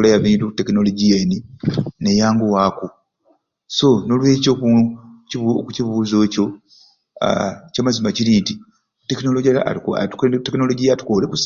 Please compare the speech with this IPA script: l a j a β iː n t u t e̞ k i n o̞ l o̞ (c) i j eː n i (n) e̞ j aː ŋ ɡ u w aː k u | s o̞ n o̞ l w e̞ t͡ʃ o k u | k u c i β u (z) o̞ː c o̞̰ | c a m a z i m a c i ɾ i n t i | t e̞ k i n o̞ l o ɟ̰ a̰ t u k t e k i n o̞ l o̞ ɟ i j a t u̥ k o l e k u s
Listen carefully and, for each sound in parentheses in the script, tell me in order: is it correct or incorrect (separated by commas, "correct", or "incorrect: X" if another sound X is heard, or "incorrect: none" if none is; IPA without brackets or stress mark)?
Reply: incorrect: ɟ, correct, correct